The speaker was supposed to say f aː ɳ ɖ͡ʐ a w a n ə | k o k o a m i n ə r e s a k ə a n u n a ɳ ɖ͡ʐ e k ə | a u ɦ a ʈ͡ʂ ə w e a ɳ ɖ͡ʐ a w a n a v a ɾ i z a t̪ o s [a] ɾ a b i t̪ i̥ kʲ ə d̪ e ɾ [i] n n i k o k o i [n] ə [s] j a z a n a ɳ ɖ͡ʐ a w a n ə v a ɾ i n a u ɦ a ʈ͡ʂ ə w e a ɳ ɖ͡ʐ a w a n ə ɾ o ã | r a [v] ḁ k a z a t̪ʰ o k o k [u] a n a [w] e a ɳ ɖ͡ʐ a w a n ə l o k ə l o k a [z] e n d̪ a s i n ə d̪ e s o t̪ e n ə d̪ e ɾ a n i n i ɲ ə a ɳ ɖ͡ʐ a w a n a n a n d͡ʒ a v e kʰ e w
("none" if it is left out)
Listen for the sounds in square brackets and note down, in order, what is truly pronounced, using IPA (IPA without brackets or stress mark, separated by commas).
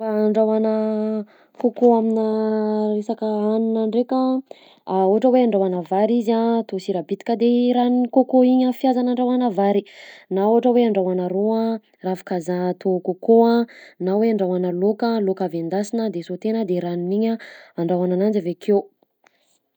i, a, ɲ, f, f, o, w, v